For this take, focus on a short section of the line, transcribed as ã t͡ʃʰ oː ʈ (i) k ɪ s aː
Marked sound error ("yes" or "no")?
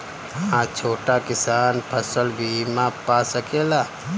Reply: yes